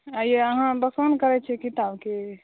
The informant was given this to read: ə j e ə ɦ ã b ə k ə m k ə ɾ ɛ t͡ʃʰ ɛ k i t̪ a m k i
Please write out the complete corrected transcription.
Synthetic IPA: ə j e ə ɦ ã b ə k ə n k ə ɾ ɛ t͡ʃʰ ɛ k i t̪ a b k e